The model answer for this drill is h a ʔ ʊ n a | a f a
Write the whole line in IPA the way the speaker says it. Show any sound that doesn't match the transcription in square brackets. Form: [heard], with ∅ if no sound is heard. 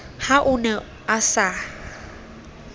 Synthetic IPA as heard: h a ʔ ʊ n [ɛ] | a [s] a

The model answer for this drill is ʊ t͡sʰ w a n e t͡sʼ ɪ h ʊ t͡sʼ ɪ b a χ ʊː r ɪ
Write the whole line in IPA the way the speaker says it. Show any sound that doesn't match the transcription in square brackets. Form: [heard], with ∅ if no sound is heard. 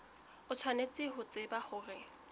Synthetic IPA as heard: ʊ t͡sʰ w a n e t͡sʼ ɪ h ʊ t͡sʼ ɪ b a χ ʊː r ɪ

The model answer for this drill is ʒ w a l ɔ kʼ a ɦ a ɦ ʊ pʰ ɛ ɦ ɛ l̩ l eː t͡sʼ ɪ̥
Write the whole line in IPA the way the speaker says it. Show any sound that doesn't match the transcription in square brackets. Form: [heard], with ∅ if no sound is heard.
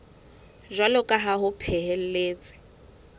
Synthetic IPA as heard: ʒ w a l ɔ kʼ a ɦ a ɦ ʊ pʰ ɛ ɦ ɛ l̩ l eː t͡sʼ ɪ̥

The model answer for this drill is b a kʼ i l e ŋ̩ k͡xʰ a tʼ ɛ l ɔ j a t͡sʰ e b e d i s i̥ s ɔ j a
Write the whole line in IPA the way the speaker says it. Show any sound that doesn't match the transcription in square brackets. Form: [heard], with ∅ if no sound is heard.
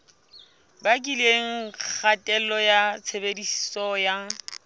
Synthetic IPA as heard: b a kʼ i l e ŋ̩ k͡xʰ a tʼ ɛ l ɔ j a t͡sʰ e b e d i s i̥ s ɔ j a

